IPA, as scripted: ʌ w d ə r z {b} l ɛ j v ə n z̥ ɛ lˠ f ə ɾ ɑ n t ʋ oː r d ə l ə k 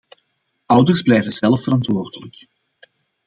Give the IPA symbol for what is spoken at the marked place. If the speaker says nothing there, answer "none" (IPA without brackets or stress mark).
b